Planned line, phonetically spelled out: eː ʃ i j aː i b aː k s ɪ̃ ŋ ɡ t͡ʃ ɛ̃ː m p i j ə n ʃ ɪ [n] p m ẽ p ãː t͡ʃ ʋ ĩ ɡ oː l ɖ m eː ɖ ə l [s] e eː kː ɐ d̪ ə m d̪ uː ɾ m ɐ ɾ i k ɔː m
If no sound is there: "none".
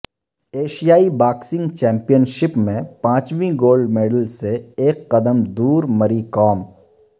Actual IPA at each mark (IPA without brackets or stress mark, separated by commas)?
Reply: none, s